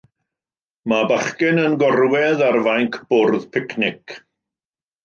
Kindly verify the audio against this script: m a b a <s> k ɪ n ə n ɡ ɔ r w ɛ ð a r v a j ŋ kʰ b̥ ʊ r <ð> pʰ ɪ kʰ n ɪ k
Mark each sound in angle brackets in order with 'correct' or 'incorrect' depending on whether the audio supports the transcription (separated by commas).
incorrect, correct